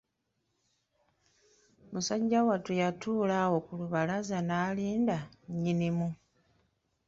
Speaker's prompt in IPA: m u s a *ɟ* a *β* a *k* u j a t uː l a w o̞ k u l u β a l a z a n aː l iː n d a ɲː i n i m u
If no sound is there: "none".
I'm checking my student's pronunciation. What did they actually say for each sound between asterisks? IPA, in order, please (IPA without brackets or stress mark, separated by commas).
ɟː, w, t